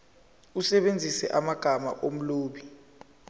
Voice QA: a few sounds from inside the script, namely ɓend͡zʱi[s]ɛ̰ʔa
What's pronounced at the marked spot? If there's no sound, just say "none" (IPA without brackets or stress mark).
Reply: s